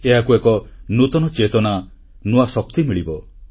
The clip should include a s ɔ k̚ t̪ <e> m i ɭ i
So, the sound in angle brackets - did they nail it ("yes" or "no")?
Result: no